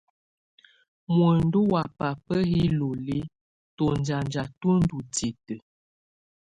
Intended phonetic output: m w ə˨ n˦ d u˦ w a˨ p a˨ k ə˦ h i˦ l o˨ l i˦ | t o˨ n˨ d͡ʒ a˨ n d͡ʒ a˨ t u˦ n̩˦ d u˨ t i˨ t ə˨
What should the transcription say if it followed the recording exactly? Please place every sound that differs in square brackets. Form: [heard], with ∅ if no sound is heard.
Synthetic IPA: m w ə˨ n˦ d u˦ w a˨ p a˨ [p] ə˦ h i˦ l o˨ l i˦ | t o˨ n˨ d͡ʒ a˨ n d͡ʒ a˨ t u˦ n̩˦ d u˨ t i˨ t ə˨